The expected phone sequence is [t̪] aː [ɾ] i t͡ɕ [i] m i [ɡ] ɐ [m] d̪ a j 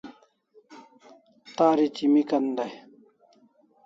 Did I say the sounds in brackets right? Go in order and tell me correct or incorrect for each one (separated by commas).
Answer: correct, correct, correct, incorrect, incorrect